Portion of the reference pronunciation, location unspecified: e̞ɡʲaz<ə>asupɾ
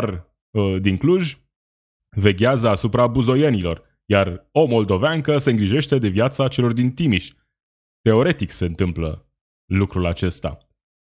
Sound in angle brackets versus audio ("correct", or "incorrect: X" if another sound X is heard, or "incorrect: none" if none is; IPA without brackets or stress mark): correct